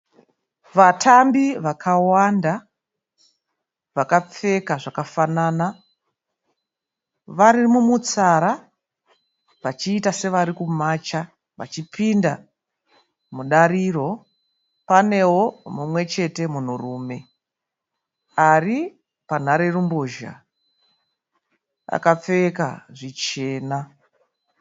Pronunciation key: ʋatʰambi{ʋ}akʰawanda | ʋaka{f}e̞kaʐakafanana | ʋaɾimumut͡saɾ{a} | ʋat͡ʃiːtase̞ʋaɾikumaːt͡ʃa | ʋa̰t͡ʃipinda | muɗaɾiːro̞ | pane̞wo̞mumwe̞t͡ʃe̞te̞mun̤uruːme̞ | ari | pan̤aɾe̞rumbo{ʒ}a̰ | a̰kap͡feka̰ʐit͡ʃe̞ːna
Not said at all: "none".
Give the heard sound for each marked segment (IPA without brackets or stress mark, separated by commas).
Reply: ʋ, p͡f, a, ʒ